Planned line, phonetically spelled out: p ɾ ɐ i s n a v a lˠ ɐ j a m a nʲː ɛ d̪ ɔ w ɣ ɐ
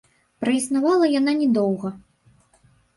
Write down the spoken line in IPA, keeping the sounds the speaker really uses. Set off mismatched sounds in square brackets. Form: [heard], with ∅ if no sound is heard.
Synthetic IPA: p ɾ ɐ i s n a v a lˠ ɐ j a [n] a [nʲ] ɛ d̪ ɔ w ɣ ɐ